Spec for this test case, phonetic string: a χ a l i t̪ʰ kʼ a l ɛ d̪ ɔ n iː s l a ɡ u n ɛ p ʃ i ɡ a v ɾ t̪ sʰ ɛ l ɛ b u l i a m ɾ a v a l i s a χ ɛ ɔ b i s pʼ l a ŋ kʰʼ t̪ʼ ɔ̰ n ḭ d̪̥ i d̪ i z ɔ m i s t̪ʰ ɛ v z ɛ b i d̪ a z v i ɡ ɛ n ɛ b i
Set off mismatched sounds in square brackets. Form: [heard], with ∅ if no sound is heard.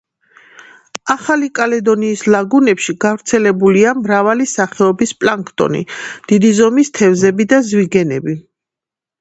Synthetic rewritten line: a χ a l i [∅] kʼ a l ɛ d̪ ɔ n iː s l a ɡ u n ɛ p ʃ i ɡ a v ɾ t̪ sʰ ɛ l ɛ b u l i a m ɾ a v a l i s a χ ɛ ɔ b i s pʼ l a ŋ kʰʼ t̪ʼ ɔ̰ n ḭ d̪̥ i d̪ i z ɔ m i s t̪ʰ ɛ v z ɛ b i d̪ a z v i ɡ ɛ n ɛ b i

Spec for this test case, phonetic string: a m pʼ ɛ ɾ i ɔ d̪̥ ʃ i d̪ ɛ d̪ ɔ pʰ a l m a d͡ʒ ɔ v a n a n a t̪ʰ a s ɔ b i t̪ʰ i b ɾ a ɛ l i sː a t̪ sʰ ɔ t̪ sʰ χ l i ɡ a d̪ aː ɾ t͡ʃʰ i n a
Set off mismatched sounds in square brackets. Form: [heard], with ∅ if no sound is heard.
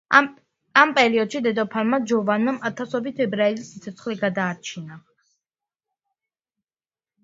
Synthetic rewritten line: a m pʼ ɛ ɾ i ɔ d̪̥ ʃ i d̪ ɛ d̪ ɔ pʰ a l m a d͡ʒ ɔ v a n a [m] a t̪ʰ a s ɔ b i t̪ʰ [ɛ] b ɾ a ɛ l i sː [i] t̪ sʰ ɔ t̪ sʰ χ l i ɡ a d̪ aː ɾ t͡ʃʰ i n a

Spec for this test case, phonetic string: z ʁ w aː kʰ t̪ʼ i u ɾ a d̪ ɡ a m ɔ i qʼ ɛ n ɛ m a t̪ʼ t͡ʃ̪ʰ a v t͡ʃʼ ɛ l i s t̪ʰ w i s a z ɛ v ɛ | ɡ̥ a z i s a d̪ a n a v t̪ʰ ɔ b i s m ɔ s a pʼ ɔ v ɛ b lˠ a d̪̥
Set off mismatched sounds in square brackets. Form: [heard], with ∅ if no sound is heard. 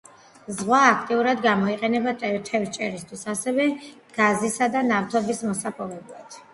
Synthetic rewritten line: z ʁ w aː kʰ t̪ʼ i u ɾ a d̪ ɡ a m ɔ i qʼ ɛ n ɛ [b] a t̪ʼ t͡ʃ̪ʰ [ɛ] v t͡ʃʼ ɛ [ɾ] i s t̪ʰ w i s a [s] ɛ v ɛ | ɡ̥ a z i s a d̪ a n a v t̪ʰ ɔ b i s m ɔ s a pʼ ɔ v ɛ b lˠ a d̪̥

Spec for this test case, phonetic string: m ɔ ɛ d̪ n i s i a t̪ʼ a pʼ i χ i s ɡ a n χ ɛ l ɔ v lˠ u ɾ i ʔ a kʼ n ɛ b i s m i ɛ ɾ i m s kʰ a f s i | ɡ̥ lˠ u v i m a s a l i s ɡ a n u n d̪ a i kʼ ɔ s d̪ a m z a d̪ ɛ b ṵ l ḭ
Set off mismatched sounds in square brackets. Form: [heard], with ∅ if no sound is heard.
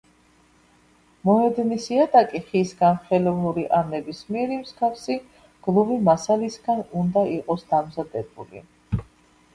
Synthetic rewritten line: m ɔ ɛ d̪ n i s i a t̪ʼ a [kʼ] i χ i s ɡ a n χ ɛ l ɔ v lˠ u ɾ i ʔ a [∅] n ɛ b i s m i ɛ ɾ i m s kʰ a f s i | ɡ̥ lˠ u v i m a s a l i s ɡ a n u n d̪ a i [qʼ] ɔ s d̪ a m z a d̪ ɛ b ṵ l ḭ

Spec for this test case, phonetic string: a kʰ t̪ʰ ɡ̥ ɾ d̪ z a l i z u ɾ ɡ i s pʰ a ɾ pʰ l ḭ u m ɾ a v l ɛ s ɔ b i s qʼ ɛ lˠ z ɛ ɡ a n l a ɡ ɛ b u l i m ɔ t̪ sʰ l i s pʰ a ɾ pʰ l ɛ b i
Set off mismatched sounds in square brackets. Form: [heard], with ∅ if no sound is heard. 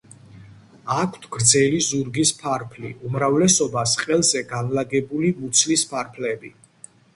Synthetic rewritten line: a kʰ t̪ʰ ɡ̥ ɾ d̪ z [ɛ] l i z u ɾ ɡ i s pʰ a ɾ pʰ l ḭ u m ɾ a v l ɛ s ɔ b [a] s qʼ ɛ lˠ z ɛ ɡ a n l a ɡ ɛ b u l i m [u] t̪ sʰ l i s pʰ a ɾ pʰ l ɛ b i

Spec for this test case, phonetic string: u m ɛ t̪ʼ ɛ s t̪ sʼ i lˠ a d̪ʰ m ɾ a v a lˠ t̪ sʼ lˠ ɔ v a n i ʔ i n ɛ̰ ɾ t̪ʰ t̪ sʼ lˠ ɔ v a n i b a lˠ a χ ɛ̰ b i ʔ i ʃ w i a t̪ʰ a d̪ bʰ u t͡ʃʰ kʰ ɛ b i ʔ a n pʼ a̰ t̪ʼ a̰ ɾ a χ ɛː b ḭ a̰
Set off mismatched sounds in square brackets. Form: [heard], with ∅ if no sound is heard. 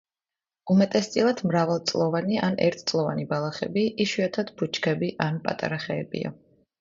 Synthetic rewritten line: u m ɛ t̪ʼ ɛ s t̪ sʼ i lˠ a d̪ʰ m ɾ a v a lˠ t̪ sʼ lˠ ɔ v a n i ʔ [a] n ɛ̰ ɾ t̪ʰ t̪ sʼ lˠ ɔ v a n i b a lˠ a χ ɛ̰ b i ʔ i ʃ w i a t̪ʰ a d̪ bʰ u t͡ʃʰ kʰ ɛ b i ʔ a n pʼ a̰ t̪ʼ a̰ ɾ a χ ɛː b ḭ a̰

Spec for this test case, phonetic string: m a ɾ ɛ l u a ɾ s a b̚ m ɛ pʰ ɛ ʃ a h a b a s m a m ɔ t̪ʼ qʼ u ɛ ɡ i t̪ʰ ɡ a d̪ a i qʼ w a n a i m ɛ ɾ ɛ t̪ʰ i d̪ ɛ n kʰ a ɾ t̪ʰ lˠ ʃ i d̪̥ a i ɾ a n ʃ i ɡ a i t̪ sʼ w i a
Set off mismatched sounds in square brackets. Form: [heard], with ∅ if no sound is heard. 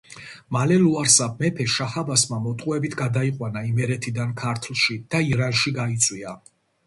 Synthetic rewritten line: m a [l] ɛ l u a ɾ s a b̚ m ɛ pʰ ɛ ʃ a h a b a s m a m ɔ t̪ʼ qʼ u ɛ [b] i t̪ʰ ɡ a d̪ a i qʼ w a n a i m ɛ ɾ ɛ t̪ʰ i d̪ [a] n kʰ a ɾ t̪ʰ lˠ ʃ i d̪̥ a i ɾ a n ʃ i ɡ a i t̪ sʼ w i a

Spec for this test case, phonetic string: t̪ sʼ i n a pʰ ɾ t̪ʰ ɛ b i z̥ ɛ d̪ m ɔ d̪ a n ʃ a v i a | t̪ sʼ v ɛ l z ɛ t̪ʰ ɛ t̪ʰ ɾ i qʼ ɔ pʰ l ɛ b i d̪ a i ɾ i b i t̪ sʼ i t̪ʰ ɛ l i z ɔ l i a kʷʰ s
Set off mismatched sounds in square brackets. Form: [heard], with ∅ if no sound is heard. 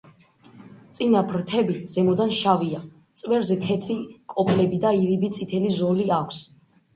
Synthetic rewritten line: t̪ sʼ i n a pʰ ɾ t̪ʰ ɛ b i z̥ ɛ [∅] m ɔ d̪ a n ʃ a v i a | t̪ sʼ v ɛ [ɾ] z ɛ t̪ʰ ɛ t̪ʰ ɾ i [kʼ] ɔ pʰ l ɛ b i d̪ a i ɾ i b i t̪ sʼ i t̪ʰ ɛ l i z ɔ l i a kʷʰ s

